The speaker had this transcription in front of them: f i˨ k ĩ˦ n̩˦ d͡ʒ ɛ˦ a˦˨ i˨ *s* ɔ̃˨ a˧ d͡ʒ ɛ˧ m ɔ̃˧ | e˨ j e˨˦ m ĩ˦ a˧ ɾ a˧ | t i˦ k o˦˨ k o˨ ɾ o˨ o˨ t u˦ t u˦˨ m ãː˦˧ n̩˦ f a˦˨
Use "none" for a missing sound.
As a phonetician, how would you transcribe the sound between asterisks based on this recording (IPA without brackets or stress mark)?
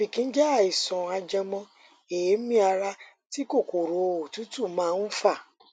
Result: s